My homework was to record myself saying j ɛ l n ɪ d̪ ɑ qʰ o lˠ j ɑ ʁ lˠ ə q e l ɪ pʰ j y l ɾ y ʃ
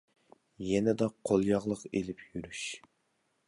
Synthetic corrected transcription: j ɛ n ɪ d̪ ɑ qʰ o lˠ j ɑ ʁ lˠ ə q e l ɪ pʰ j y ɾ y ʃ